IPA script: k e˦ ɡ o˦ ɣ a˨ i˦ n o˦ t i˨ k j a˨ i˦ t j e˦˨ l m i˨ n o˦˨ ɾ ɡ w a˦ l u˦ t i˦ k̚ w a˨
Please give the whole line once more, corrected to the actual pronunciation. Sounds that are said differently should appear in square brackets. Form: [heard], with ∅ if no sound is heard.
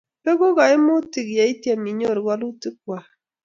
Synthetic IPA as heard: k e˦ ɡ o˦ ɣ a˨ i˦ [m] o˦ t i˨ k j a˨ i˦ t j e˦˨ [∅] m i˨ [ɲ] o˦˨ ɾ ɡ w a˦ l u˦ t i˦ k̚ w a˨